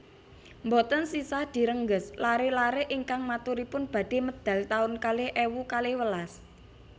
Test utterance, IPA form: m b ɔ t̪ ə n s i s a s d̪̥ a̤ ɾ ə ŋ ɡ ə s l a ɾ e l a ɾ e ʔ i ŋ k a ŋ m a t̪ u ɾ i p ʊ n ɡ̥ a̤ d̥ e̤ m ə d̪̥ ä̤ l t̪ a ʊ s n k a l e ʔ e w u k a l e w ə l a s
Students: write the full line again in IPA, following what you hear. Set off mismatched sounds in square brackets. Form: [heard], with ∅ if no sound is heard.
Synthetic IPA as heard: m b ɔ t̪ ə n s i s a [h] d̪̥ [i̤] ɾ ə ŋ ɡ ə s l a ɾ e l a ɾ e ʔ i ŋ k a ŋ m a t̪ u ɾ i p ʊ n [b̥] a̤ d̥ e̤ m ə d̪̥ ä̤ l t̪ a ʊ [∅] n k a l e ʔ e w u k a l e w ə l a s